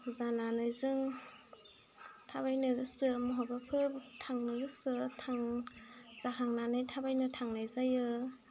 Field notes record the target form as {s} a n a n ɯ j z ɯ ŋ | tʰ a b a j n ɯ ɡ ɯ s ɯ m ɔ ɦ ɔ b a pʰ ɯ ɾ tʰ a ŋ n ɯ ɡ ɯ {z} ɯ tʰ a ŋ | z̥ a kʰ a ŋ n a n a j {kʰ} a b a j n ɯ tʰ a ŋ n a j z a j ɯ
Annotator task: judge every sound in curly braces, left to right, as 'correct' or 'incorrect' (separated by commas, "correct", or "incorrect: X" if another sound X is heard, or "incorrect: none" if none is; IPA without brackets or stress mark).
incorrect: z, incorrect: s, incorrect: tʰ